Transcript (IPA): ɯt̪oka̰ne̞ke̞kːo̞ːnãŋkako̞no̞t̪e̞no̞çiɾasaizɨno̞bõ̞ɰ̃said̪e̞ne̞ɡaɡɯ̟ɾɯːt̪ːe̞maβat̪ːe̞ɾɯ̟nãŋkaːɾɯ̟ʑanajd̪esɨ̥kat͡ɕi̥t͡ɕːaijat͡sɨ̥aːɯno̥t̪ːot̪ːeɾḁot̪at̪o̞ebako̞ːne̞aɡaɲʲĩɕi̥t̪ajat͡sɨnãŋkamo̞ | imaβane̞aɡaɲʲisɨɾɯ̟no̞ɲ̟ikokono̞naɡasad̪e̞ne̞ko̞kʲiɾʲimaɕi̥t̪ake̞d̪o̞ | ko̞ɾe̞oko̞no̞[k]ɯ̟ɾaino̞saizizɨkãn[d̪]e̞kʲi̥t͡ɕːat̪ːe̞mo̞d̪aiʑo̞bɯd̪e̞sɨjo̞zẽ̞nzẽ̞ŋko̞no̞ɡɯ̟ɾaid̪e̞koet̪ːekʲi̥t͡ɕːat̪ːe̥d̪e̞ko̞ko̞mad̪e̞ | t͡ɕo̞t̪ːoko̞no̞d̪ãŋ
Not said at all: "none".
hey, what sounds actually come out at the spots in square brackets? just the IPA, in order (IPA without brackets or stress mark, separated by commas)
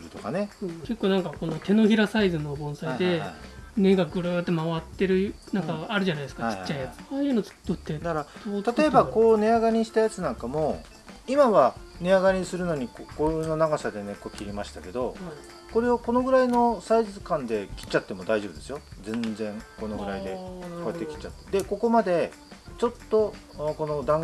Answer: ɡ, d̪